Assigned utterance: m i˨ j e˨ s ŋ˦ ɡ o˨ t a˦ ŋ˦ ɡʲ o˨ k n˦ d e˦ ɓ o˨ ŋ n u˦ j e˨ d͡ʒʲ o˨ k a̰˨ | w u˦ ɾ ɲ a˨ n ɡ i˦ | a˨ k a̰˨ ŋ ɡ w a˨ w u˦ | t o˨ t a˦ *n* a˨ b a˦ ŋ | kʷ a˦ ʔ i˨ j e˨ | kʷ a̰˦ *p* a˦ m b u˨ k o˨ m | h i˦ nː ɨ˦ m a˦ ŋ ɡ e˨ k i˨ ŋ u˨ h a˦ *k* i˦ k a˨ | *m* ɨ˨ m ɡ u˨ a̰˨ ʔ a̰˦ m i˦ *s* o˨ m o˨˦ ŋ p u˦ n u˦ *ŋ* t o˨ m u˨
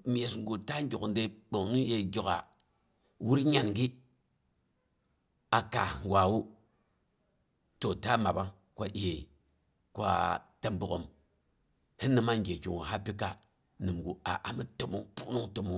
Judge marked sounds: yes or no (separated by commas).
no, no, no, no, no, yes